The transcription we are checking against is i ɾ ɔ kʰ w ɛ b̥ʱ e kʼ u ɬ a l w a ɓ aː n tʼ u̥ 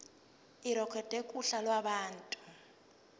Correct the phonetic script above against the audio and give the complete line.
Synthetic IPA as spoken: i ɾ ɔ kʰ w ɛ d̥ʱ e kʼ u ɬ a l w a ɓ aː n tʼ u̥